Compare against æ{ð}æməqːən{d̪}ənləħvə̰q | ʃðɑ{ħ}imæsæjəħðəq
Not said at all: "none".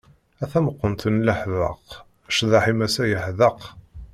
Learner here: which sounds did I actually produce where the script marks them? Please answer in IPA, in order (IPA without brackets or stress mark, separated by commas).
θ, t̪, ħ